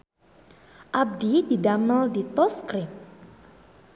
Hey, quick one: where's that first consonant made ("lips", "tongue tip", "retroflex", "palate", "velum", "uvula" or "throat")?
throat